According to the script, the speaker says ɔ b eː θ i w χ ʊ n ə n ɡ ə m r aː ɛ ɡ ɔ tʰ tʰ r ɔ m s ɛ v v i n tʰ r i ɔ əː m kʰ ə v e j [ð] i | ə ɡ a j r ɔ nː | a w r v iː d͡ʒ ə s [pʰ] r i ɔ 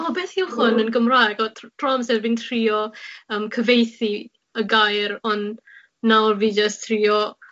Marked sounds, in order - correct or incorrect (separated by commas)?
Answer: incorrect, incorrect